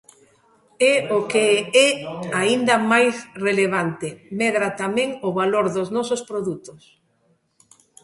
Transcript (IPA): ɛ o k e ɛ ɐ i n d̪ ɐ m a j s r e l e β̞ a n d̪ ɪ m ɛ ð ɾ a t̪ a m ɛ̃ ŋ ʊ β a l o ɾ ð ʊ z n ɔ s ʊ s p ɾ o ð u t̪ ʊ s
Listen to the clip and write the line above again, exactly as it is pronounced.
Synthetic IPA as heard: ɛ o k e ɛ a i n d̪ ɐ m a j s r e l e β̞ a n t̪ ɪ m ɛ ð ɾ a t̪ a m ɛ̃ ŋ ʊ β a l o ɾ ð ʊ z n ɔ s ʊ s p ɾ o ð u t̪ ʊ s